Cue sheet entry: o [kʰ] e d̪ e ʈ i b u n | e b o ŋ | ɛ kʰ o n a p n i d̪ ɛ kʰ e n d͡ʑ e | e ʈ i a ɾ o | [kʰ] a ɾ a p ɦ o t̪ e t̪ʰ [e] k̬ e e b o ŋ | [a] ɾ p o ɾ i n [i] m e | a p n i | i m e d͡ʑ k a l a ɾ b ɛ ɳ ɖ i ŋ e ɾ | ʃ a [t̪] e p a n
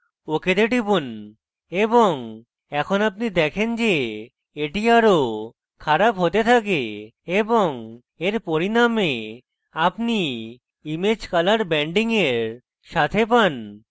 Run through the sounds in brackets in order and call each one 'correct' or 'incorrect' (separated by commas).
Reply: incorrect, correct, incorrect, incorrect, incorrect, incorrect